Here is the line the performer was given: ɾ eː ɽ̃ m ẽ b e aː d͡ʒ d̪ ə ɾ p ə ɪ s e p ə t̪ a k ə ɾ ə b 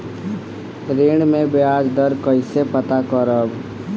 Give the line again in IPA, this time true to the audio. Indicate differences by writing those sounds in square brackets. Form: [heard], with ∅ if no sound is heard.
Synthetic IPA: ɾ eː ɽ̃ m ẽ b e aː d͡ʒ d̪ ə ɾ [k] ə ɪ s e p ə t̪ a k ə ɾ ə b